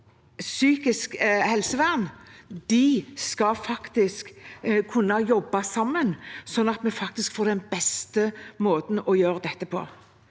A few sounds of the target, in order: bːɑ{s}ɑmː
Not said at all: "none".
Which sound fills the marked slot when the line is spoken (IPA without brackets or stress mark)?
s